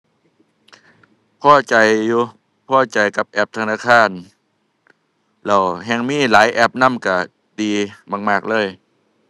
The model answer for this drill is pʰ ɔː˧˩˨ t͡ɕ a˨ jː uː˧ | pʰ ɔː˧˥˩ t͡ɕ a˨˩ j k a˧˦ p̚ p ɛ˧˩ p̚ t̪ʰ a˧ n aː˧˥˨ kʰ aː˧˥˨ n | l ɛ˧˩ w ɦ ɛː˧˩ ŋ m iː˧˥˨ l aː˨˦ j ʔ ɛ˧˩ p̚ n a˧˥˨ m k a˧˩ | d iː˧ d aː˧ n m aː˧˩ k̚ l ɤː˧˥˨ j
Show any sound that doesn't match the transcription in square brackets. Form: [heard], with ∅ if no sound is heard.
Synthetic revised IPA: pʰ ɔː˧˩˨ t͡ɕ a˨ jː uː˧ | pʰ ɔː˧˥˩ t͡ɕ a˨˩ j k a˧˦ p̚ [ʔ] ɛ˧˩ p̚ t̪ʰ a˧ n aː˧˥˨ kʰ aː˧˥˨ n | l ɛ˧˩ w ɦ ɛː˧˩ ŋ m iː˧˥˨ l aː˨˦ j ʔ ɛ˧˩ p̚ n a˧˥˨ m k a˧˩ | d iː˧ [b] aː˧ [ŋ] m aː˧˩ k̚ l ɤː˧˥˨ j